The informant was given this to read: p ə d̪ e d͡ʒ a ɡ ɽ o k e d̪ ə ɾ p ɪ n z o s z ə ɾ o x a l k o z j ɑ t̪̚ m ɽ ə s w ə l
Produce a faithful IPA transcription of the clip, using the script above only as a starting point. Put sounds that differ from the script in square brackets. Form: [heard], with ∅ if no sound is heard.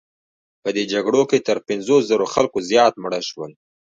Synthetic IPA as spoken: p ə d̪ e d͡ʒ a ɡ ɽ o k e [t̪] ə ɾ p ɪ n z o s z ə ɾ o x a l k o z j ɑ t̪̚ m ɽ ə [ʃ] w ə l

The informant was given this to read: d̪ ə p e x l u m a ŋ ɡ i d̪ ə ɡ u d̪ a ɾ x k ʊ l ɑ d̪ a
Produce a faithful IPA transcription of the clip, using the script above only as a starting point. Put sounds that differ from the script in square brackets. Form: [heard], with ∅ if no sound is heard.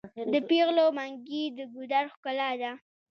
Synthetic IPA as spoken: d̪ ə p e [ɣ] l [o] m a ŋ ɡ i d̪ ə ɡ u d̪ a ɾ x k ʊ l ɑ d̪ a

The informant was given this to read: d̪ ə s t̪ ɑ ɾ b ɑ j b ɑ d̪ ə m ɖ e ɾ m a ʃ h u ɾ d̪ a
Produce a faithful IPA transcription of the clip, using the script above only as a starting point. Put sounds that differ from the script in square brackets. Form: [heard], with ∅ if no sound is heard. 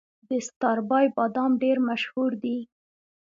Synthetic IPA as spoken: d̪ ə s t̪ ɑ ɾ b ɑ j b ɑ d̪ [ɑ] m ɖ e ɾ m a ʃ h u ɾ d̪ [i]

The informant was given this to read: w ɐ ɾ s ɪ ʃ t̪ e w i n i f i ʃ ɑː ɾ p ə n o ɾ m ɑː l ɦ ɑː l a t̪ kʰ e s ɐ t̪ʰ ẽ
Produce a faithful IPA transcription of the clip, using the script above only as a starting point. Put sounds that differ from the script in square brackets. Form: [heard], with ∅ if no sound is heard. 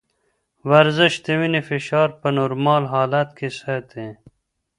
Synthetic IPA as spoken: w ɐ ɾ [z] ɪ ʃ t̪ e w i n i f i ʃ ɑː ɾ p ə n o ɾ m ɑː l ɦ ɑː l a t̪ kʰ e s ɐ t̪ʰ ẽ

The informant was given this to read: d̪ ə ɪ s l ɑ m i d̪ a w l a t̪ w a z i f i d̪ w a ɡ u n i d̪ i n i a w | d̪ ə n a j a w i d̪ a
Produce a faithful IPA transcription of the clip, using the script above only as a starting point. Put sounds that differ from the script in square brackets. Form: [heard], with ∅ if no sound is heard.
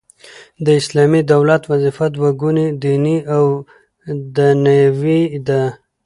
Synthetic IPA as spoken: d̪ ə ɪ s l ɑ m i d̪ a w l a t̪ w a z i f [a] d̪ w a ɡ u n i d̪ i n i a w | d̪ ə n a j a w i d̪ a

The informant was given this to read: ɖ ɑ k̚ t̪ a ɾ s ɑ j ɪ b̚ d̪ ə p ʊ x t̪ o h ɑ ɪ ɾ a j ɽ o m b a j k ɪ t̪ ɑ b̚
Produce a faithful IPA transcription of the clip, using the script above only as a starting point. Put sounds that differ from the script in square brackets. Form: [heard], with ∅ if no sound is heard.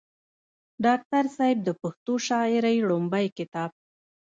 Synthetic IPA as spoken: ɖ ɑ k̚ t̪ a ɾ s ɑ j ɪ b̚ d̪ ə p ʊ x t̪ o [ʃ] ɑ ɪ ɾ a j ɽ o m b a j k ɪ t̪ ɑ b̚

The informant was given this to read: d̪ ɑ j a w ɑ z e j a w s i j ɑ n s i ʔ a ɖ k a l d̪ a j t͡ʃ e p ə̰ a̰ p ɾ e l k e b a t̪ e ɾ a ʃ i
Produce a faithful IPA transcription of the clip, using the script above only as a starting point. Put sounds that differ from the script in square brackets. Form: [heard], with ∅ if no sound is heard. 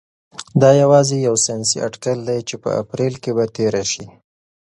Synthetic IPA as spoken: d̪ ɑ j a w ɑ z e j a w s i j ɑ n s i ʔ a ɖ k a l d̪ a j t͡ʃ e p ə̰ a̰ p ɾ e l k e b a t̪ e ɾ a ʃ i

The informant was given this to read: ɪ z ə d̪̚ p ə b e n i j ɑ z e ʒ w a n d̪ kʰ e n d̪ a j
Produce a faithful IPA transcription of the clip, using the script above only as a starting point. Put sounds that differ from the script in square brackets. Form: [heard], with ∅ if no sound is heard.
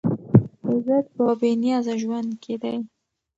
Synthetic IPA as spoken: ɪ z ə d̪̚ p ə b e n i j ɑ z [a] ʒ w a n d̪ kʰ e [∅] d̪ a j

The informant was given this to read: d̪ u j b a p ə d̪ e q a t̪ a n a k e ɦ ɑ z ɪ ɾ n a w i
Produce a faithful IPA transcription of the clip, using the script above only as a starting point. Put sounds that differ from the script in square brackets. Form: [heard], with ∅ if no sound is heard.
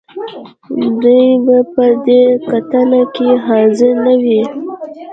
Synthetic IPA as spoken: d̪ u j b a p ə d̪ e [k] a t̪ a n a k e ɦ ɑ z ɪ ɾ n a w i

